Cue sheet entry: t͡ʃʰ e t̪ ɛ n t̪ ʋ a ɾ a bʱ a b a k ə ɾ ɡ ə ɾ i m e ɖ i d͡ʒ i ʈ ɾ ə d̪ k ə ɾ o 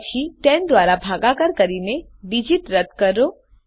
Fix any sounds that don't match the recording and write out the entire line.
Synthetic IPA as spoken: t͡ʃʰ i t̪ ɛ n d̪ ʋ a ɾ a bʱ a ɡ a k ə ɾ k ə ɾ i n e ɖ i d͡ʒ i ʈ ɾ ə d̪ k ə ɾ o